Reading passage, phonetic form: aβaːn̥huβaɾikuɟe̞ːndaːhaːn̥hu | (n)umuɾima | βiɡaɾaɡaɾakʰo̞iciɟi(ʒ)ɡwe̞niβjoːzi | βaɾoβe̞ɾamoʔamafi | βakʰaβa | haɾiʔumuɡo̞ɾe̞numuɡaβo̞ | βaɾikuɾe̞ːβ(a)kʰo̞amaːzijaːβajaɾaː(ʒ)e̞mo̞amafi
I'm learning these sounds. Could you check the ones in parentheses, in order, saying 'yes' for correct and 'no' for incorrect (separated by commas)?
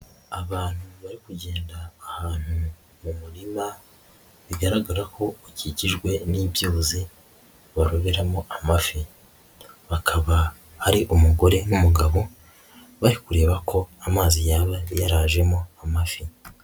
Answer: no, yes, yes, yes